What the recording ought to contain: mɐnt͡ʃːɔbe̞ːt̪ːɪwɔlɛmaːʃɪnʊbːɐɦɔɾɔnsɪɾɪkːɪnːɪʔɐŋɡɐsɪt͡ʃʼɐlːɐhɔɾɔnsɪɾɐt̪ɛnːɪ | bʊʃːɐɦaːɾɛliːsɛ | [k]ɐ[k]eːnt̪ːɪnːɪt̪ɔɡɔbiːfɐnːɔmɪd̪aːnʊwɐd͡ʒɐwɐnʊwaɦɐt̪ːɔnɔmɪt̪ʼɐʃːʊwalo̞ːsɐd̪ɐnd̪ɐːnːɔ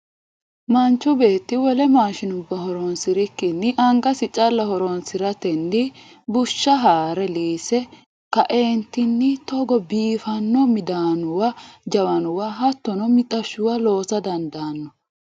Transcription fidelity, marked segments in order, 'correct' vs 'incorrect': correct, incorrect: ʔ

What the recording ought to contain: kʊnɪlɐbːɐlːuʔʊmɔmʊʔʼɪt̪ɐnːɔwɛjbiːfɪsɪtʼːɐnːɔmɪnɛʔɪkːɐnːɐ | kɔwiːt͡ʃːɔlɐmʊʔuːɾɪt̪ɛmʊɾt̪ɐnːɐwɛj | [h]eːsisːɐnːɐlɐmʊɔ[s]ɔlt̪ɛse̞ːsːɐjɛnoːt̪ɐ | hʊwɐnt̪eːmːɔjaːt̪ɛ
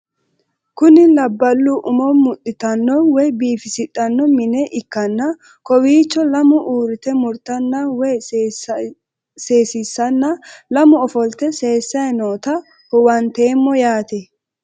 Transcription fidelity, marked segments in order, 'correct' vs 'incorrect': incorrect: s, incorrect: f

